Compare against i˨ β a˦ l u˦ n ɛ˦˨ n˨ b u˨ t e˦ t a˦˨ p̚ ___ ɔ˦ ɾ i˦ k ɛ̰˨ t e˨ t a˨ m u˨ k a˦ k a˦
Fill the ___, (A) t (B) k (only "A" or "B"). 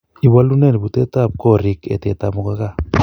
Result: B